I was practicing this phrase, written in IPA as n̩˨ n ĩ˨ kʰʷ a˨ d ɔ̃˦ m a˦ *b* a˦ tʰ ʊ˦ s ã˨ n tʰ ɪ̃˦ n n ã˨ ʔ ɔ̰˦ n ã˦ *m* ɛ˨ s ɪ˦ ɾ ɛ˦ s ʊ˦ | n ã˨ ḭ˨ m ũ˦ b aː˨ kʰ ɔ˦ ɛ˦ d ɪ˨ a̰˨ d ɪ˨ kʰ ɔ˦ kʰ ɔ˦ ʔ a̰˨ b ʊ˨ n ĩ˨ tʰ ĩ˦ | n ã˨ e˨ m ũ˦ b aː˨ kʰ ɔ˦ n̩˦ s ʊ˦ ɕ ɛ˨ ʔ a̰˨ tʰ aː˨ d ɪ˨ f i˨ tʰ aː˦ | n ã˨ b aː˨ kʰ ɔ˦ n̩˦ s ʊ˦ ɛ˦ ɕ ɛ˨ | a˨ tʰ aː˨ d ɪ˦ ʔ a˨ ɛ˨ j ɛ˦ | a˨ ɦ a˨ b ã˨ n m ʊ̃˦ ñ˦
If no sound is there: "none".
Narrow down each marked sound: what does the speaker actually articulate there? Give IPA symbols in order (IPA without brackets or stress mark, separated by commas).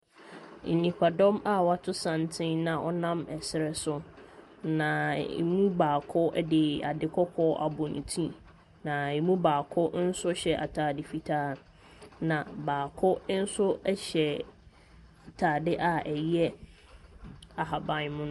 w, m